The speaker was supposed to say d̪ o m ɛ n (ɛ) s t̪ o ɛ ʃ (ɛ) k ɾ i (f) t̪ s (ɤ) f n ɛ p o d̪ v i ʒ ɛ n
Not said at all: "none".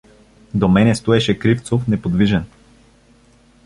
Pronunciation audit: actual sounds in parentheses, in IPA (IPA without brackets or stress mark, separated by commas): ɛ, ɛ, f, o